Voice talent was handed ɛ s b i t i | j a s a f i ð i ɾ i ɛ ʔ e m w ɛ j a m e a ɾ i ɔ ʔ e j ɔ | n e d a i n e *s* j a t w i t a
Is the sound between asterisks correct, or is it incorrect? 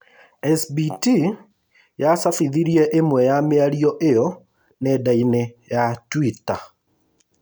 incorrect